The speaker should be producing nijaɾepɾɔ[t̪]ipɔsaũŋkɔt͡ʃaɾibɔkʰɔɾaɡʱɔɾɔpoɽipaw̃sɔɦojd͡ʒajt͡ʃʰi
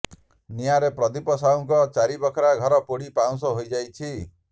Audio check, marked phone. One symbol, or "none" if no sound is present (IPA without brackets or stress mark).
d̪